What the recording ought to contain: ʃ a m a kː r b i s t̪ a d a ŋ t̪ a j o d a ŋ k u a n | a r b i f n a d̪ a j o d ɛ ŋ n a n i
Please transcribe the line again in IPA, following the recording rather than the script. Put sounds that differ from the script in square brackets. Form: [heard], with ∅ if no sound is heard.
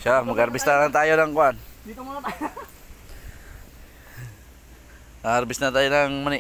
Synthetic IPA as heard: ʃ a m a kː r b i s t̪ a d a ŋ t̪ a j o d a ŋ k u a n | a r b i [s] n a [t̪] a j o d [a] ŋ [m] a n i